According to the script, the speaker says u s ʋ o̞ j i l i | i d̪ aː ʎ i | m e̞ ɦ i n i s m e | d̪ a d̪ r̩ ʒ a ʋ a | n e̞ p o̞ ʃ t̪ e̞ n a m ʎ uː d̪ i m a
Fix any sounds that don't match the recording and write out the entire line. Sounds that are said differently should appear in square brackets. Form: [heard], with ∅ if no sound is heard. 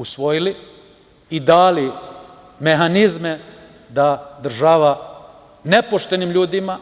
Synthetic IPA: u s ʋ o̞ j i l i | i d̪ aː [l] i | m e̞ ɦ [a] n i [z] m e | d̪ a d̪ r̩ ʒ a ʋ a | n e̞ p o̞ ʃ t̪ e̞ n [i] m ʎ uː d̪ i m a

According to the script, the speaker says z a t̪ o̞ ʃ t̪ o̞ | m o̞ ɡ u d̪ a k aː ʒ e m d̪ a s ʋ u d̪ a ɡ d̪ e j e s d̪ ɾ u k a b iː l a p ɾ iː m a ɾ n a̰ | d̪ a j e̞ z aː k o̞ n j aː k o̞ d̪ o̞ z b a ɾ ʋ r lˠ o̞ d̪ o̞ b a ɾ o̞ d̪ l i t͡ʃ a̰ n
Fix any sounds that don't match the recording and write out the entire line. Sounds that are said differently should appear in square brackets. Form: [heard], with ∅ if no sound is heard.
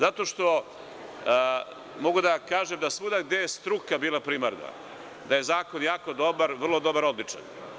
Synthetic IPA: z a t̪ o̞ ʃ t̪ o̞ | m o̞ ɡ u d̪ a k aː ʒ e m d̪ a s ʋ u d̪ a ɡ d̪ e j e s [t̪] ɾ u k a b iː l a p ɾ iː m a ɾ n a̰ | d̪ a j e̞ z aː k o̞ n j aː k o̞ d̪ o̞ [∅] b a ɾ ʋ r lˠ o̞ d̪ o̞ b a ɾ o̞ d̪ l i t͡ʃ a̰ n

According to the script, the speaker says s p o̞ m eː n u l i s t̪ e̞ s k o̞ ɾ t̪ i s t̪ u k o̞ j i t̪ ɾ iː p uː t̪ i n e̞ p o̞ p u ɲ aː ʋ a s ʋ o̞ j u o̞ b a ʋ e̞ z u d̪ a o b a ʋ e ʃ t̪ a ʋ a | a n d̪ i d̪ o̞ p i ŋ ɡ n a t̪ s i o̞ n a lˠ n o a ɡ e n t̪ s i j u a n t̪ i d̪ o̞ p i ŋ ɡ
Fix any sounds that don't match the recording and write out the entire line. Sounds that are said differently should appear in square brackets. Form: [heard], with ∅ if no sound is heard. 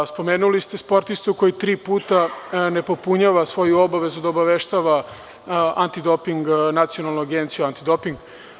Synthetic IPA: s p o̞ m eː n u l i s t̪ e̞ s [p] o̞ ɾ t̪ i s t̪ u k o̞ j i t̪ ɾ iː p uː t̪ [a] n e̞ p o̞ p u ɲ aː ʋ a s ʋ o̞ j u o̞ b a ʋ e̞ z u d̪ a o b a ʋ e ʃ t̪ a ʋ a | a n [t̪] i d̪ o̞ p i ŋ ɡ n a t̪ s i o̞ n a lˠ n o a ɡ e n t̪ s i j u a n t̪ i d̪ o̞ p i ŋ ɡ

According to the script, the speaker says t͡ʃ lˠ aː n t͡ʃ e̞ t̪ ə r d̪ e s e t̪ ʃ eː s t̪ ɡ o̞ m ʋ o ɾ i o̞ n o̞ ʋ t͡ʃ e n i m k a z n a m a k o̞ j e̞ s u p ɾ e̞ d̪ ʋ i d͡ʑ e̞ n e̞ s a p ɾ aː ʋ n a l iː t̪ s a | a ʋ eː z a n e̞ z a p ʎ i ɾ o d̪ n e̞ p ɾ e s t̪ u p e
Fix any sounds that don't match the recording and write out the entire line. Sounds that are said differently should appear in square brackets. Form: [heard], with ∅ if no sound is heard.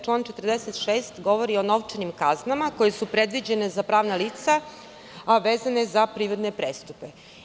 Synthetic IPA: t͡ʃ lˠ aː n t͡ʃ e̞ t̪ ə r d̪ e s e t̪ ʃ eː s t̪ ɡ o̞ [∅] ʋ o ɾ i o̞ n o̞ ʋ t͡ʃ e n i m k a z n a m a k o̞ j e̞ s u p ɾ e̞ d̪ ʋ i d͡ʑ e̞ n e̞ [z] a p ɾ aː ʋ n a l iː t̪ s a | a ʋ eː z a n e̞ z a p [ɾ] i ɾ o d̪ n e̞ p ɾ e s t̪ u p e

